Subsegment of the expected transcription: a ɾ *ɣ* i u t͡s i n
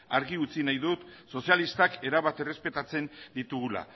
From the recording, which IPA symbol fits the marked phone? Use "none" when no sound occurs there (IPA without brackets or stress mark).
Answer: ɣ